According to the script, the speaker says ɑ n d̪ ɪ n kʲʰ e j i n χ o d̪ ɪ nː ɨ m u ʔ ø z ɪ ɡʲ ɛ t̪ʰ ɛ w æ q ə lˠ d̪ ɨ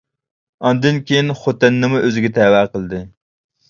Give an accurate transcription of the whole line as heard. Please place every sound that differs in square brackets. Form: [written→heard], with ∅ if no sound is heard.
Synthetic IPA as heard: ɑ n d̪ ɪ n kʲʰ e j i n χ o [d̪→t̪] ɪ nː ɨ m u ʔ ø z ɪ ɡʲ ɛ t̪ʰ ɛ w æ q ə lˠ d̪ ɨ

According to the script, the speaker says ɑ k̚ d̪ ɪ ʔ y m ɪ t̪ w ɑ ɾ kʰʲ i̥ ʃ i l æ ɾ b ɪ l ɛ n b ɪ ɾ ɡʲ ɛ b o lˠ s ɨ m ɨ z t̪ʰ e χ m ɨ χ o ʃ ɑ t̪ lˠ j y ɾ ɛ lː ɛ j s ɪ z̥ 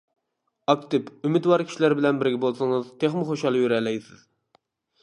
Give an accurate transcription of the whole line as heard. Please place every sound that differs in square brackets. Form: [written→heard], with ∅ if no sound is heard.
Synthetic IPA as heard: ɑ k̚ [d̪→t̪] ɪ [ʔ→p] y m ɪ t̪ w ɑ ɾ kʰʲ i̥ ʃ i l æ ɾ b ɪ l ɛ n b ɪ ɾ ɡʲ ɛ b o lˠ s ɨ [m→ŋ] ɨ z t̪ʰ e χ m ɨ χ o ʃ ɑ [t̪→∅] lˠ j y ɾ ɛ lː ɛ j s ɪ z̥

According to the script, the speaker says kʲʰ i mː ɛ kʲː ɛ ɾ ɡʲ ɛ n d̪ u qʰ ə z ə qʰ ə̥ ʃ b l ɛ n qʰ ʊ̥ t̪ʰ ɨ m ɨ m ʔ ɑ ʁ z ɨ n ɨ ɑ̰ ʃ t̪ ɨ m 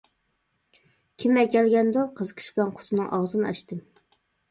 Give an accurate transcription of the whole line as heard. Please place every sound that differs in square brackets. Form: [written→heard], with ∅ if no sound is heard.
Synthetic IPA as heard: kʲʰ i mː ɛ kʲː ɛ [ɾ→l] ɡʲ ɛ n d̪ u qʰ ə z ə qʰ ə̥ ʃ b l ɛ n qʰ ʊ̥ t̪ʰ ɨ [m→n] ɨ [m→ŋ] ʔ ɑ ʁ z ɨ n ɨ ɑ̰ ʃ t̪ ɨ m

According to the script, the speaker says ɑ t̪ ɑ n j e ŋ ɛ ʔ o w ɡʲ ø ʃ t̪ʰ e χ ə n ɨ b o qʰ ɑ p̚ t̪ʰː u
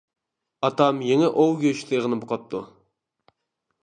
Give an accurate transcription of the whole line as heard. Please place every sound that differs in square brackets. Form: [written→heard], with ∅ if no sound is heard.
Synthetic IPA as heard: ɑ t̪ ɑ [n→m] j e ŋ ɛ ʔ o w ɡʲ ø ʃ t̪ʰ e [χ→ʁ] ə n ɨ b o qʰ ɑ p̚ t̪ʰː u

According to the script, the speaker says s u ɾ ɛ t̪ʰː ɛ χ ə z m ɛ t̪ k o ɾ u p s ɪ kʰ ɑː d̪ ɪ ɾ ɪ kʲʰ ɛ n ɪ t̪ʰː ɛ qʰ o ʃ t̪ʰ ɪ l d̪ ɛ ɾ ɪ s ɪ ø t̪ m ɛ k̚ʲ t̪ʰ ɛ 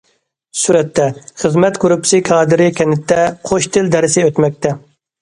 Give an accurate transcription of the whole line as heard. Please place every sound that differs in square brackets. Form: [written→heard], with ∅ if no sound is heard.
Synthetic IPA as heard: s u ɾ ɛ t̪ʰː ɛ χ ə z m ɛ t̪ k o ɾ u p s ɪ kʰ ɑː d̪ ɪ ɾ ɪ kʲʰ ɛ n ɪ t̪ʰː ɛ qʰ o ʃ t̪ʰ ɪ l d̪ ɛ ɾ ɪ s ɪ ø t̪ m ɛ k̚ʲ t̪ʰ ɛ

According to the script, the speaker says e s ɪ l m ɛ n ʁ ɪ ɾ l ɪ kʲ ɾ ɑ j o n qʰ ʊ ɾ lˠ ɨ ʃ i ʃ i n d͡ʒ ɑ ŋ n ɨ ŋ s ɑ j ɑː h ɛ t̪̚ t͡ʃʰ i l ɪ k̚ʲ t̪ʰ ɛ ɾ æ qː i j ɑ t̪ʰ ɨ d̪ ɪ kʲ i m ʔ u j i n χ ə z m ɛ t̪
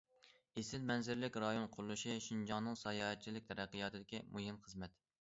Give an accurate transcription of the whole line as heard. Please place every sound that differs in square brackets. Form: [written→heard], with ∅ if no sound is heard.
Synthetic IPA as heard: e s ɪ l m ɛ n [ʁ→z] ɪ ɾ l ɪ kʲ ɾ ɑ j o n qʰ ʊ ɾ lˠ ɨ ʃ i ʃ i n d͡ʒ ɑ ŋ n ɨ ŋ s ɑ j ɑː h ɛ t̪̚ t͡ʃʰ i l ɪ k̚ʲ t̪ʰ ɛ ɾ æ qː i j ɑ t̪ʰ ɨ d̪ ɪ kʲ i m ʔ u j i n χ ə z m ɛ t̪

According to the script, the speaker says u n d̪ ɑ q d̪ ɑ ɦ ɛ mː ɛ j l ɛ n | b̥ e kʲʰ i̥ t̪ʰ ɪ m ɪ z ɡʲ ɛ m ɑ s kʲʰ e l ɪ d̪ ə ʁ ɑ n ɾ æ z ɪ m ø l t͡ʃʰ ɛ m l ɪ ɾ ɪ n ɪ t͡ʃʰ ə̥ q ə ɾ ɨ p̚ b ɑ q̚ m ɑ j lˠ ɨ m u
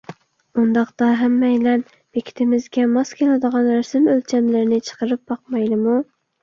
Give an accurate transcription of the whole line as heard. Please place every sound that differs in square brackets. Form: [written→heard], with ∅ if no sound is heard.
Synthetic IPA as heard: u n d̪ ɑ q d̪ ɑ ɦ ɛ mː ɛ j l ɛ n | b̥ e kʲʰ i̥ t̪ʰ ɪ m ɪ z ɡʲ ɛ m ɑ s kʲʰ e l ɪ d̪ ə ʁ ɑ n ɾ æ [z→s] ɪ m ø l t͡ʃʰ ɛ m l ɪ ɾ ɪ n ɪ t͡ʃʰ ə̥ q ə ɾ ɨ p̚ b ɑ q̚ m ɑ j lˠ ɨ m u

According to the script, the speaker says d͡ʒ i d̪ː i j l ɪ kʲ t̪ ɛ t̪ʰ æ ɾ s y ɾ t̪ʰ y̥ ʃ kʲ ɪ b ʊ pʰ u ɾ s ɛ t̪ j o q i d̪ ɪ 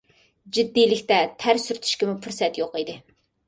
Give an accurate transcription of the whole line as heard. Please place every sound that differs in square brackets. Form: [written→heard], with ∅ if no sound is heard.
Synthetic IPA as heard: d͡ʒ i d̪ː i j l ɪ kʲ t̪ ɛ t̪ʰ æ ɾ s y ɾ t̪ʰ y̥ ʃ kʲ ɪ [b→m] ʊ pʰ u ɾ s ɛ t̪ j o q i d̪ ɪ

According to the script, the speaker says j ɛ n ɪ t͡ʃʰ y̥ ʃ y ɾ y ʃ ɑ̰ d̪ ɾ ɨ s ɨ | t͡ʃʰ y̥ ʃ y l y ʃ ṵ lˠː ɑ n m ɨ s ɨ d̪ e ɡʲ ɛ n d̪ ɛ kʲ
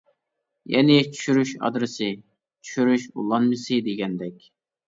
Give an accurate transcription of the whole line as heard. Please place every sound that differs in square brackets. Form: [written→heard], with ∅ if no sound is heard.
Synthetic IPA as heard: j ɛ n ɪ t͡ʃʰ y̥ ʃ y ɾ y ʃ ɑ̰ d̪ ɾ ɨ s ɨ | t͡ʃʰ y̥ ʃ y [l→ɾ] y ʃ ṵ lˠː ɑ n m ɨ s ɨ d̪ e ɡʲ ɛ n d̪ ɛ kʲ

